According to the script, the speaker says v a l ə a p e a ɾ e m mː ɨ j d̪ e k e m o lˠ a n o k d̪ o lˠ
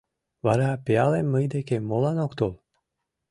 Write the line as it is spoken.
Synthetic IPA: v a ɾ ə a p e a l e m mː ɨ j d̪ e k e m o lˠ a n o k t̪ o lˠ